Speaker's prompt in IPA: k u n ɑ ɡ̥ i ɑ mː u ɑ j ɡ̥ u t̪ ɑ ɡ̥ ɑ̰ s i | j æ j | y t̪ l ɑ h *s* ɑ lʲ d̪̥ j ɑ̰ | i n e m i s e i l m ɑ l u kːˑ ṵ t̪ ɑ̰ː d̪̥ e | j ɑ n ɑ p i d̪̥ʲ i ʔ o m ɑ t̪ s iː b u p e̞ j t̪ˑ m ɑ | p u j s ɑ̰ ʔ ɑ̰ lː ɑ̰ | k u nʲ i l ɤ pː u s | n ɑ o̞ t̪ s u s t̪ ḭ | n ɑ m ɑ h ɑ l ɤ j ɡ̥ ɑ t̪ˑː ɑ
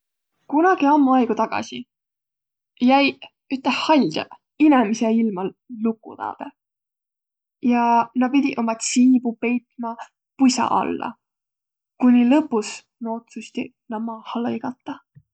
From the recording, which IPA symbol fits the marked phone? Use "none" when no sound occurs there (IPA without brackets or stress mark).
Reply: h